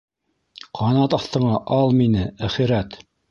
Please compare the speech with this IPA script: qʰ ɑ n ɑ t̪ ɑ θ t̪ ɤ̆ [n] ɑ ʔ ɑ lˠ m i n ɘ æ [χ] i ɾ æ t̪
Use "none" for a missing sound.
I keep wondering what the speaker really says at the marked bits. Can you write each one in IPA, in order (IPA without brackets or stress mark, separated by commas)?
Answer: ɴ, χ